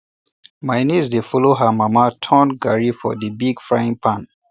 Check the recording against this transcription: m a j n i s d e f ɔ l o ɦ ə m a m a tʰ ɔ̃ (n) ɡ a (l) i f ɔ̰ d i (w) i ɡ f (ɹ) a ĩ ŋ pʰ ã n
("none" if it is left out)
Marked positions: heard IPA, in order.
n, ɹ, b, ɹ

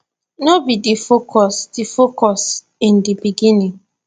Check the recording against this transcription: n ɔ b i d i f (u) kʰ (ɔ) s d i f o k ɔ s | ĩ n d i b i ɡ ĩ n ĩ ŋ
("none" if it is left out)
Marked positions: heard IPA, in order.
o, ɔ

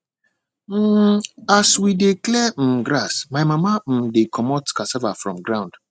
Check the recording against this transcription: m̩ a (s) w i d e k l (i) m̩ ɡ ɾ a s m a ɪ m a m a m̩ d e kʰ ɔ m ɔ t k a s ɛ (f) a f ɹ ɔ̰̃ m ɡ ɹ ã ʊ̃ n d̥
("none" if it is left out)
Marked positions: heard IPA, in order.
s, ɛ, v

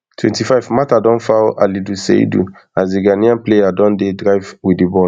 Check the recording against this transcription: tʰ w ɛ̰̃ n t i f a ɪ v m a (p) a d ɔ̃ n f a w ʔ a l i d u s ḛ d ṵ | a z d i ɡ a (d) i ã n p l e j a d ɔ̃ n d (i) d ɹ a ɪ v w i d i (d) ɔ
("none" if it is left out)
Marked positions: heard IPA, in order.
t, n, e, b

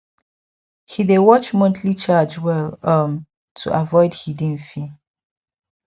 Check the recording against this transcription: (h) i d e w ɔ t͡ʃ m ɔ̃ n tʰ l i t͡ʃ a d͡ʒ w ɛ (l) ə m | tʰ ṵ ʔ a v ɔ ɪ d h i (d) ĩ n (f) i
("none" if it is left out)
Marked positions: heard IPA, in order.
h, l, d, f

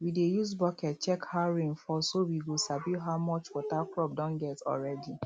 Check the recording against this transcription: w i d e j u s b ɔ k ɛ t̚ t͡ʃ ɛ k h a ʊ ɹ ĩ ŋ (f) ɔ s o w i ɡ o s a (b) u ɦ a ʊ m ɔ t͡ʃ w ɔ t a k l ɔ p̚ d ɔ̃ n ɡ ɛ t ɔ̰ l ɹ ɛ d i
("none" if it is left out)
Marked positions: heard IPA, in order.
f, b

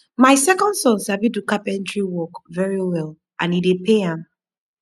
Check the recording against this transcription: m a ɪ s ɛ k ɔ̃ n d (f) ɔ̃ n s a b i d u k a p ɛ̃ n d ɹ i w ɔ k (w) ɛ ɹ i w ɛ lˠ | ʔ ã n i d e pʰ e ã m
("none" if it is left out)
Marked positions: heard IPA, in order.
s, v

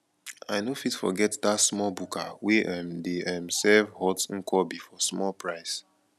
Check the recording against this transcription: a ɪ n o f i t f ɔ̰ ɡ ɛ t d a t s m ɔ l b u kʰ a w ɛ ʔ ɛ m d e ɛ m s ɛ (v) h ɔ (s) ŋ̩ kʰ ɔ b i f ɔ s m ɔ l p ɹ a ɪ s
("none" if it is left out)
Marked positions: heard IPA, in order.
v, t

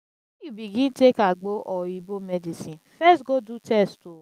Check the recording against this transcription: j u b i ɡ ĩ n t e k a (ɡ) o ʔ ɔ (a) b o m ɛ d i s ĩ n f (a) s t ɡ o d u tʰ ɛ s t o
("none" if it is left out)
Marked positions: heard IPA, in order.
ɡ͡b, i, ɛ

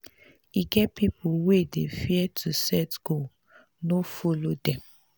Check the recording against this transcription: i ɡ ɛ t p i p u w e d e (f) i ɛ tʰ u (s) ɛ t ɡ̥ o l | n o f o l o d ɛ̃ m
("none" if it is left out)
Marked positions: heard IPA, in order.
f, s

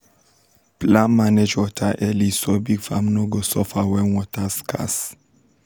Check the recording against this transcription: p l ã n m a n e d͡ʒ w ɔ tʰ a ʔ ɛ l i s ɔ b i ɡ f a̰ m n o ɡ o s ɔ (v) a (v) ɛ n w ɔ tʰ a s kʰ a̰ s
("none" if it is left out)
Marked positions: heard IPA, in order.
f, w

